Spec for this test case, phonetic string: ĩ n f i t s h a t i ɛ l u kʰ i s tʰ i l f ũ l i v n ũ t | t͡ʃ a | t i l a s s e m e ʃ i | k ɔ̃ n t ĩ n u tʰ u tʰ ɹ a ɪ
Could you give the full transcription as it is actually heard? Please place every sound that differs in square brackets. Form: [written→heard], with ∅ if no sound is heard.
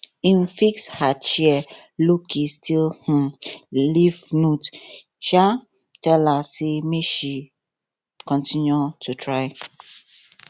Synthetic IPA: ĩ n f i [t→k] s h a [t→t͡ʃ] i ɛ l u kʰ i s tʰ i l [f→h] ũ l i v n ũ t | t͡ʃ a | t [i→ɛ] l a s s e m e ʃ i | k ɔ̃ n t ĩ n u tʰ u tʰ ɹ a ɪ